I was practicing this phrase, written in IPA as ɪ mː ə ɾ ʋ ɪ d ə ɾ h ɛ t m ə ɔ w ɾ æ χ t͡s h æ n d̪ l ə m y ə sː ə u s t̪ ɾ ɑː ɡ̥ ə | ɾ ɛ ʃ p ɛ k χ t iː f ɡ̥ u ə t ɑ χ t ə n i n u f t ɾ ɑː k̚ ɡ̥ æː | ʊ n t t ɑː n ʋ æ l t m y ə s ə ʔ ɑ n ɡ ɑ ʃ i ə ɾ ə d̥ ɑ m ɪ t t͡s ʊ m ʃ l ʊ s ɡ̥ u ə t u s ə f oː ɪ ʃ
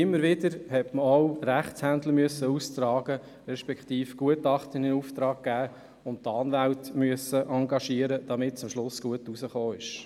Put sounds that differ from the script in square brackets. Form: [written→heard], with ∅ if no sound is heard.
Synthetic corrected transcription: ɪ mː ə ɾ ʋ ɪ d ə ɾ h ɛ t m ə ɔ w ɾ æ χ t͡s h æ n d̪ l ə m y ə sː ə u s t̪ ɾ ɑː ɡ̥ ə | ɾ ɛ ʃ p ɛ k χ t iː f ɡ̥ u ə t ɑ χ t ə n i n u f t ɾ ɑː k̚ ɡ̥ æː | ʊ n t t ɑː n ʋ æ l t m y ə s ə ʔ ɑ [n→ŋ] ɡ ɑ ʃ i ə ɾ ə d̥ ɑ m ɪ t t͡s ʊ m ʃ l ʊ s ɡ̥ u ə t u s ə [f→χ] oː ɪ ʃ